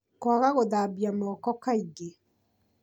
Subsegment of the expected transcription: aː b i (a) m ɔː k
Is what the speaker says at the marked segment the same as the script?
yes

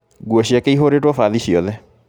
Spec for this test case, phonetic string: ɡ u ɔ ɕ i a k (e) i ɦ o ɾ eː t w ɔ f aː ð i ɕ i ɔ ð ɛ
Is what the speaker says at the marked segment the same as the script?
yes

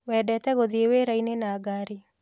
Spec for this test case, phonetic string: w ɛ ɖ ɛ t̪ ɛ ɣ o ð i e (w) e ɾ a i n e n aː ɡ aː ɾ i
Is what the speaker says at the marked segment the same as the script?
yes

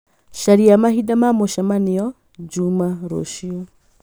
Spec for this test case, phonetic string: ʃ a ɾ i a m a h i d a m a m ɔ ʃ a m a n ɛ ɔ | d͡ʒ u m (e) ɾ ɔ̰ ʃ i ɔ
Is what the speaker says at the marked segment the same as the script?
no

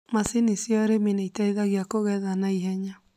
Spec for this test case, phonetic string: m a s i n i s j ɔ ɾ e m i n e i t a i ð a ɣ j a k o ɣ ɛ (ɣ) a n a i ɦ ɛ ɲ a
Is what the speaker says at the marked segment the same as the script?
no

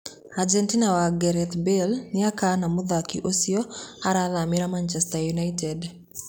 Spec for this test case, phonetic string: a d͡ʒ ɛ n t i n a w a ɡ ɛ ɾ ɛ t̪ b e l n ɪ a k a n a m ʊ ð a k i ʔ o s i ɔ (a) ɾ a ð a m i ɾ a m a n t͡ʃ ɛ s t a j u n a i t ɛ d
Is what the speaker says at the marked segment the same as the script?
yes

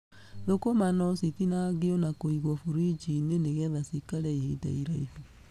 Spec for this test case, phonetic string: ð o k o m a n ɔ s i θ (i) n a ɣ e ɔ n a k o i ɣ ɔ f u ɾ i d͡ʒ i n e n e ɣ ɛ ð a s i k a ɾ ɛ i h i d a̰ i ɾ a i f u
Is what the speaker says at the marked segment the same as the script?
yes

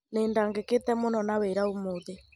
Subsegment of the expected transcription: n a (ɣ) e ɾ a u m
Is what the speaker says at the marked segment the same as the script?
no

